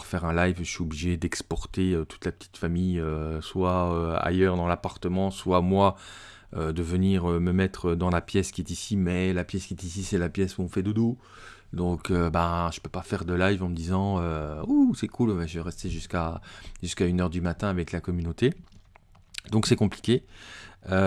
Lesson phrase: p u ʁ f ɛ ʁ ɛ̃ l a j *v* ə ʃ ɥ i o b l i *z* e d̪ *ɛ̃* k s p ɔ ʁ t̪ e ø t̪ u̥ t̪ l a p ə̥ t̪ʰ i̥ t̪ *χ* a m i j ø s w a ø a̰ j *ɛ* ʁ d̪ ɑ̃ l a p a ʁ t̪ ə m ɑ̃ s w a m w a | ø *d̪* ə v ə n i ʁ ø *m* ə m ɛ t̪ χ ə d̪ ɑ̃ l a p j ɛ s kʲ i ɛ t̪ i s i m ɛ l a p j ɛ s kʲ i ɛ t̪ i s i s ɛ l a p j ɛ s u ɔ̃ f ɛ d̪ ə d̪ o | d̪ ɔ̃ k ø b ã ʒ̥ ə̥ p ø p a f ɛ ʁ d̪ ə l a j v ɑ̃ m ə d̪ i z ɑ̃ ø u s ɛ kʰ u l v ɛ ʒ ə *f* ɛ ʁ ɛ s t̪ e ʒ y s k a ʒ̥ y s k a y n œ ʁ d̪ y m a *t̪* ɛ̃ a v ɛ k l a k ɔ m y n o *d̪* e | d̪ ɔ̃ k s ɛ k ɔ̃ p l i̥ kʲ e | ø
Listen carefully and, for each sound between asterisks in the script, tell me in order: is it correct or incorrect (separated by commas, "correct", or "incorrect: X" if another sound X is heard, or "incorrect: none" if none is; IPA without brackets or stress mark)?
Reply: correct, incorrect: ʒ, incorrect: ɛ, incorrect: f, incorrect: œ, correct, correct, incorrect: v, correct, incorrect: t̪